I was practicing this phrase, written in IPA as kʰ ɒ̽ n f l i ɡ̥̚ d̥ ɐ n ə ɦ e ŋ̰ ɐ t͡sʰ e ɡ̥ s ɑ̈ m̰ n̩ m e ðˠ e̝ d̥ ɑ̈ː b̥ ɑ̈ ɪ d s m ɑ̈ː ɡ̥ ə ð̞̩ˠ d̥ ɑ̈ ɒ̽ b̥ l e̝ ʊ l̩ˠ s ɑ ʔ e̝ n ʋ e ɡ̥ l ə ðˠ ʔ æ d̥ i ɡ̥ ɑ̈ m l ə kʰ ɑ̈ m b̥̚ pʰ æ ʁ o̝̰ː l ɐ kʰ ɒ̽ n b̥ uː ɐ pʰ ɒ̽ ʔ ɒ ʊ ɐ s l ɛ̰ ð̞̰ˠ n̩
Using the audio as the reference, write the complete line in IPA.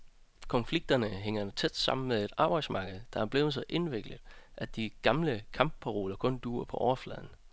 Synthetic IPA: kʰ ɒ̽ n f l i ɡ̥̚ d̥ ɐ n ə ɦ e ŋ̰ ɐ t͡sʰ e d̥ s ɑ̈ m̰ n̩ m e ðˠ e̝ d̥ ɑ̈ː b̥ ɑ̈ ɪ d s m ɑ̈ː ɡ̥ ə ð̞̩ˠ d̥ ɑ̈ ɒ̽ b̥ l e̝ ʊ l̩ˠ s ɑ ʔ e̝ n ʋ e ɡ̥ l ə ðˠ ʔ æ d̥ i ɡ̥ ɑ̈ m l ə kʰ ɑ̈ m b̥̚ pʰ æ ʁ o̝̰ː l ɐ kʰ ɔ̽ n d̥ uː ɐ pʰ ɒ̽ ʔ ɒ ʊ ɐ f l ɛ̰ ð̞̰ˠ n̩

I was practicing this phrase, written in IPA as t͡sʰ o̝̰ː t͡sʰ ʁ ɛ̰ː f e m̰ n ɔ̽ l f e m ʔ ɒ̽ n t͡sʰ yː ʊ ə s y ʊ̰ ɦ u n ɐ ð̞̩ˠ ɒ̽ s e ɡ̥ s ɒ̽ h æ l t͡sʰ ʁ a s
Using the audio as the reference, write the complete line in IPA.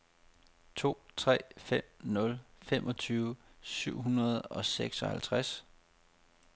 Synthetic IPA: t͡sʰ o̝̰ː t͡sʰ ʁ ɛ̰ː f e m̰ n ɔ̽ l f e m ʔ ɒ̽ t͡sʰ yː ʊ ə s y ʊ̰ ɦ u n ɐ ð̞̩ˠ ɒ̽ s e ɡ̥ s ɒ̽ h æ l t͡sʰ ʁ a s

